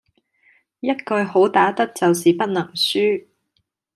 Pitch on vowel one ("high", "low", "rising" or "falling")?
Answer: high